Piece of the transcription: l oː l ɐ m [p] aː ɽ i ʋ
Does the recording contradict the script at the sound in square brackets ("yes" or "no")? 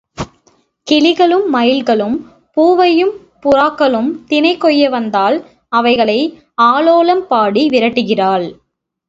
no